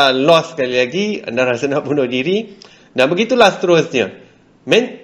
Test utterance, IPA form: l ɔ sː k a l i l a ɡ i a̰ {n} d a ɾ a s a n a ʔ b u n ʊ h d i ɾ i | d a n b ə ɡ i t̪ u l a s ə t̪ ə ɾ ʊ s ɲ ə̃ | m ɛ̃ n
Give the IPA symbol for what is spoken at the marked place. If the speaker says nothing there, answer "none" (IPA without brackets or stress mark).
n